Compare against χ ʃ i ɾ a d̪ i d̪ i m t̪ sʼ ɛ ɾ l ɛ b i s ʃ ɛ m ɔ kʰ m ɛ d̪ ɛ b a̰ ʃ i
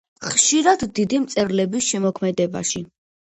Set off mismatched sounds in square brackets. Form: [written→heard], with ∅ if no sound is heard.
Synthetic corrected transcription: χ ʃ i ɾ a [d̪→d̪ː] i d̪ i m t̪ sʼ ɛ ɾ l ɛ b i s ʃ ɛ m ɔ kʰ m ɛ d̪ ɛ b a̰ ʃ i